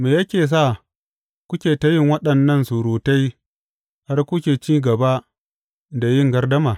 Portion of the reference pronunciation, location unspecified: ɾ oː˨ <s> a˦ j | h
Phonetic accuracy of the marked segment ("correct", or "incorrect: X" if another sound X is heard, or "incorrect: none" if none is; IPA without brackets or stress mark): incorrect: t